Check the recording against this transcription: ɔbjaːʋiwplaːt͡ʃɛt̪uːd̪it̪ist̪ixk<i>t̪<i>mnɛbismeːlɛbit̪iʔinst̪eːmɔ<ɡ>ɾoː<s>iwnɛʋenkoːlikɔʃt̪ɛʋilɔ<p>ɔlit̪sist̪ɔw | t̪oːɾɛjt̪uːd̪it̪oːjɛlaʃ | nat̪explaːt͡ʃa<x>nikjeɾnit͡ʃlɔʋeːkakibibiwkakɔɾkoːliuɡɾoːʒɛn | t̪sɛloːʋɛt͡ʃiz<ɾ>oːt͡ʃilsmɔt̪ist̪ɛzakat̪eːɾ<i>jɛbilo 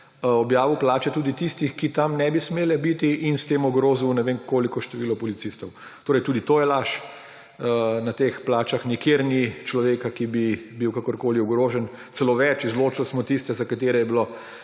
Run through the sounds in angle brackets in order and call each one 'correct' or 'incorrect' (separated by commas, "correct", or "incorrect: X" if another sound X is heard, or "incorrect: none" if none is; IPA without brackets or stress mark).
correct, incorrect: a, correct, incorrect: z, correct, correct, incorrect: l, incorrect: ɛ